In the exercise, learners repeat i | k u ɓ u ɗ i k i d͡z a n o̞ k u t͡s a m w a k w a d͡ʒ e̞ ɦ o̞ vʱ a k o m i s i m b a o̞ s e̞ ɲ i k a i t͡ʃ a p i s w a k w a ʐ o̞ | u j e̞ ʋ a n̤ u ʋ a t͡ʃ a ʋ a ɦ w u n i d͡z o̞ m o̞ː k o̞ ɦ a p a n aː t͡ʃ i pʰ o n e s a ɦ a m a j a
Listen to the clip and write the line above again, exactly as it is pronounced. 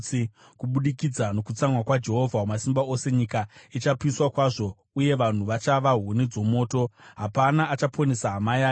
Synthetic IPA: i | k u ɓ u ɗ i k i d͡z a n o̞ k u t͡s a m w a k w a d͡ʒ e̞ ɦ o̞ vʱ a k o m a s i m b a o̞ s e̞ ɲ i k a i t͡ʃ a p i s w a k w a ʐ o̞ | u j e̞ ʋ a n̤ u ʋ a t͡ʃ a ʋ a ɦ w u n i d͡z o̞ m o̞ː t o̞ ɦ a p a n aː t͡ʃ a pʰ o n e s a ɦ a m a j a